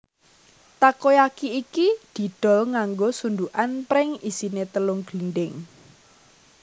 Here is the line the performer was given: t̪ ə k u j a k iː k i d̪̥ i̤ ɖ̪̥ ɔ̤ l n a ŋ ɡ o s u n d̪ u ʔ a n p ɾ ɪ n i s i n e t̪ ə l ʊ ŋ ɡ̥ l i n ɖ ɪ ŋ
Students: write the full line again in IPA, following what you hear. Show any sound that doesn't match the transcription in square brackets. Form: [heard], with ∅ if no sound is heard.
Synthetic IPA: t̪ [a] k [o] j a k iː k i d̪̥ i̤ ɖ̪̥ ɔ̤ l [ŋ] a ŋ ɡ o s u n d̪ u ʔ a n p ɾ ɪ [ŋ] i s i n e t̪ ə l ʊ ŋ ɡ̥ l i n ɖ ɪ ŋ